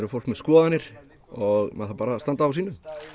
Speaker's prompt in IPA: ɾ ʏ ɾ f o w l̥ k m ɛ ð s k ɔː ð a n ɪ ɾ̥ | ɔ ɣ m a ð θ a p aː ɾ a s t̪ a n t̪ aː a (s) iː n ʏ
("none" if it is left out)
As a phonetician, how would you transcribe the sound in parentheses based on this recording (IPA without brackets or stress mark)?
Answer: s